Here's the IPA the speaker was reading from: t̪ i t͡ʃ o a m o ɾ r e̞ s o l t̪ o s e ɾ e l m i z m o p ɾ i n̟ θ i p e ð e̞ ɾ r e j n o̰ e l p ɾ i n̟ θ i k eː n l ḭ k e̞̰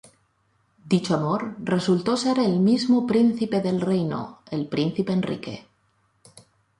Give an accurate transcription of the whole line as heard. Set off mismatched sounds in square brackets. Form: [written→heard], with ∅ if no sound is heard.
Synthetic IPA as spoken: [t̪→d̪] i t͡ʃ o a m o ɾ r e̞ s [o→u] l t̪ o s e ɾ e l m i z m o p ɾ i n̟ θ i p e ð e̞ [ɾ→l] r e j n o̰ e l p ɾ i n̟ θ i [k→p] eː n [l→r] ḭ k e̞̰